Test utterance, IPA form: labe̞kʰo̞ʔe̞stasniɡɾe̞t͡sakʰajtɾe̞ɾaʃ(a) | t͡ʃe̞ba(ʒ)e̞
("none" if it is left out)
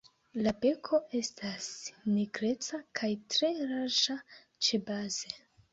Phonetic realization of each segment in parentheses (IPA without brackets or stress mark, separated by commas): a, z